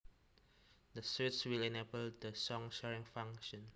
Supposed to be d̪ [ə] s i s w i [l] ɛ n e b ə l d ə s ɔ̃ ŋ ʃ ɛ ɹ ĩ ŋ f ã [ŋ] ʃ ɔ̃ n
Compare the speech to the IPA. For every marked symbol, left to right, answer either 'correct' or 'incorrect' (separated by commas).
correct, correct, correct